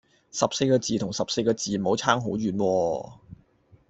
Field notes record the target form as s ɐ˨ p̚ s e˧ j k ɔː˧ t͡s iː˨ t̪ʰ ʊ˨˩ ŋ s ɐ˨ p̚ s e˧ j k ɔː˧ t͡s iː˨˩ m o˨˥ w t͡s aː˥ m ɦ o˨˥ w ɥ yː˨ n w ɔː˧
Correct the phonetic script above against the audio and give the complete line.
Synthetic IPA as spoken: s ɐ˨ p̚ s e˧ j k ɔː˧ t͡s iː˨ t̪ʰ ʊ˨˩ ŋ s ɐ˨ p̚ s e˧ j k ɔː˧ t͡s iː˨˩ m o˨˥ w t͡sʰ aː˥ ŋ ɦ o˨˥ w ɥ yː˨ n w ɔː˧